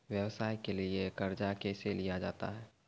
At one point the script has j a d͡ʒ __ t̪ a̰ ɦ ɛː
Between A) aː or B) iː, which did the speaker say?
A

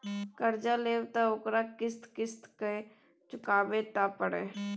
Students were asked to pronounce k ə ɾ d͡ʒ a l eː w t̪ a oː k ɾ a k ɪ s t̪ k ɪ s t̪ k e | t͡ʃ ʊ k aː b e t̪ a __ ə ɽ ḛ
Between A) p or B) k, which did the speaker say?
A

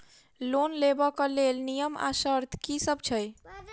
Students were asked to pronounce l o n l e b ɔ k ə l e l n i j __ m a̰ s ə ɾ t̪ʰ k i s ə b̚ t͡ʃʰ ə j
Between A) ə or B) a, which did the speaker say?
A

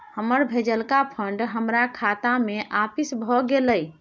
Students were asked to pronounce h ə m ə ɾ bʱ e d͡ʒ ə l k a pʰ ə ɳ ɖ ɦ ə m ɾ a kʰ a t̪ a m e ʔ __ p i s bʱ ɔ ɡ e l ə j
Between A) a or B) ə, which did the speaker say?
A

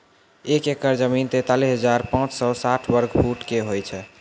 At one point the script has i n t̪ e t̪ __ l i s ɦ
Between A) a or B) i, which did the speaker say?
A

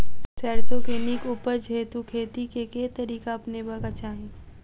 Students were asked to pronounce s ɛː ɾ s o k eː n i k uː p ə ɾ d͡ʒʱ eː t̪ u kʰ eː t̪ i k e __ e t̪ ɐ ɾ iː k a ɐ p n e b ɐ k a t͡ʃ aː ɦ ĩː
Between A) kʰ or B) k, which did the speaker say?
B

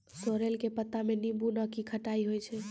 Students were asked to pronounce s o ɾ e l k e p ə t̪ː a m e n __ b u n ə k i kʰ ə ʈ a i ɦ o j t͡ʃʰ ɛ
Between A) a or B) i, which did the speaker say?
B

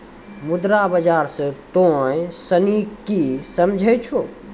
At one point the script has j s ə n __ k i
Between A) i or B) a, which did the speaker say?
A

